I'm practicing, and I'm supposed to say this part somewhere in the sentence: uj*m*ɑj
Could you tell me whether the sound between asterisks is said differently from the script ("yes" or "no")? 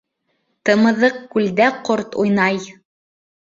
yes